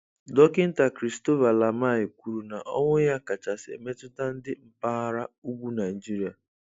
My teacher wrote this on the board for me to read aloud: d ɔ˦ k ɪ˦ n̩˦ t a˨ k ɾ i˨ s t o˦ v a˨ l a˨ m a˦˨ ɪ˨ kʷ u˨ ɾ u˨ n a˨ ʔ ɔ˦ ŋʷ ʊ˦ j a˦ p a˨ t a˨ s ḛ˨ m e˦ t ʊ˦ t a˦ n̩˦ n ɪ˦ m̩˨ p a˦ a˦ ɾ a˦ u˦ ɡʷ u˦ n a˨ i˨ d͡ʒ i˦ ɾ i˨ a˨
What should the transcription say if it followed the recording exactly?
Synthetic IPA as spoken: d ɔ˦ k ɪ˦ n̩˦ t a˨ k ɾ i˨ s t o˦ v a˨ l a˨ m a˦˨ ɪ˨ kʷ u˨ ɾ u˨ n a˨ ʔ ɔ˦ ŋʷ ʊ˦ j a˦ k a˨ t͡ʃ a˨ s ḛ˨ m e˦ t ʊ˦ t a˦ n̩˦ d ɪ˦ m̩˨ p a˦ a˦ ɾ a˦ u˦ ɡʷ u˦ n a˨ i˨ d͡ʒ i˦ ɾ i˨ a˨